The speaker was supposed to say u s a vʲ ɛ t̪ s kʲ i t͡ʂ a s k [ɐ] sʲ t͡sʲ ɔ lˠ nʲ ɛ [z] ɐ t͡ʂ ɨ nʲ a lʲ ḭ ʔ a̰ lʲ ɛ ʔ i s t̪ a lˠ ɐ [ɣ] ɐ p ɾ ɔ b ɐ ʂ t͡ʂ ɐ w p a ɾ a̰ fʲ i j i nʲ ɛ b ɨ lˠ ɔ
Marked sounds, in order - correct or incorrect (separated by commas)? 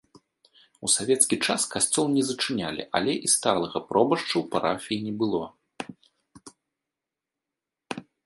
incorrect, correct, correct